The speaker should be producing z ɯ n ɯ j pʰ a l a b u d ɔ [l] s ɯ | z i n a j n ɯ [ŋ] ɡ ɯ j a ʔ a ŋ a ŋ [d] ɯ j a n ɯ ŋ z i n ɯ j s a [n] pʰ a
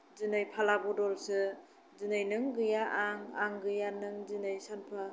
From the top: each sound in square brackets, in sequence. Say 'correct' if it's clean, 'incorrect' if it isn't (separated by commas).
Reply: correct, correct, incorrect, correct